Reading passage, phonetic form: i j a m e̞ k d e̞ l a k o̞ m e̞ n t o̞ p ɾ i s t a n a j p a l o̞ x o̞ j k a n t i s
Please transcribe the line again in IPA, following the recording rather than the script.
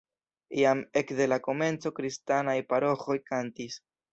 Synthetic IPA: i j a m e̞ k d e̞ l a k o̞ m e̞ n t͡s o̞ k ɾ i s t a n a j p a ɾ o̞ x o̞ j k a n t i s